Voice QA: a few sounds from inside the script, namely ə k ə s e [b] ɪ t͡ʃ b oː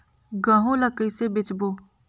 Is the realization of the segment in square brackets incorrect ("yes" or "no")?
no